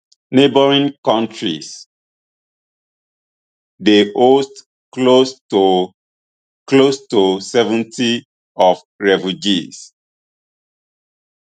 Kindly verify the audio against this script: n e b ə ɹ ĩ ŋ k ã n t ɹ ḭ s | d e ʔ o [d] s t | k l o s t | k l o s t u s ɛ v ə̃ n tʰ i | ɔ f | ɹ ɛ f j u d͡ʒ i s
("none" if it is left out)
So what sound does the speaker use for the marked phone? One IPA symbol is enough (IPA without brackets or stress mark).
none